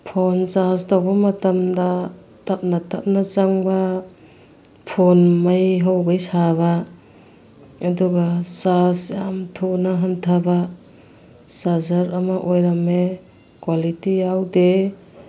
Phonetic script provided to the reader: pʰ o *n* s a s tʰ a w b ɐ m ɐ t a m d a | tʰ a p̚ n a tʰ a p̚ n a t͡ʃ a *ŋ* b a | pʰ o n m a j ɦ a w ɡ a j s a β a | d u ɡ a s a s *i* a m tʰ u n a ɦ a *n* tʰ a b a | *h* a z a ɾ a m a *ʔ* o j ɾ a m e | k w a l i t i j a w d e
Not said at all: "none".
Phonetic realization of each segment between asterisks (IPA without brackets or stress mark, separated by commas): n, ŋ, j, n, s, ʔ